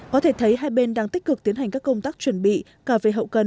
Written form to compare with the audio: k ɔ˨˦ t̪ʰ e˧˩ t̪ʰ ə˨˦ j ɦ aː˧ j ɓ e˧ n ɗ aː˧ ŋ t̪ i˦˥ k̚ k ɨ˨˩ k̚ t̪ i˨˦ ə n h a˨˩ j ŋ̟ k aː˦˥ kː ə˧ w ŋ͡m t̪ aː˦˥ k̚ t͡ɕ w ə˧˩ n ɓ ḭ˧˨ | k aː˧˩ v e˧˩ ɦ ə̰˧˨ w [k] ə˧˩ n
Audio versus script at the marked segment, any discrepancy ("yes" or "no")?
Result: no